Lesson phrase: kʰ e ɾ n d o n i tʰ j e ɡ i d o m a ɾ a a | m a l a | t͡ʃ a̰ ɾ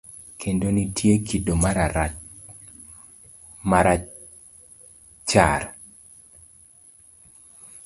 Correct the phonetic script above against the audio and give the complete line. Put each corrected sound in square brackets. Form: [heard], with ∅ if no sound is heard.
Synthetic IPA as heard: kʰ e [∅] n d o n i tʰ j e [k] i d o m a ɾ a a | m a [ɾ] a | t͡ʃ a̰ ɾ